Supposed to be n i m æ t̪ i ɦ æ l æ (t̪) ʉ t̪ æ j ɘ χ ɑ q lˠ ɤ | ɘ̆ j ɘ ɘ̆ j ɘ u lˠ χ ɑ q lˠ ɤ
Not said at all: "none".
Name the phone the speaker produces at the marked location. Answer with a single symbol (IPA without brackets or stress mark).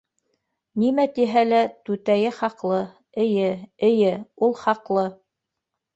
t̪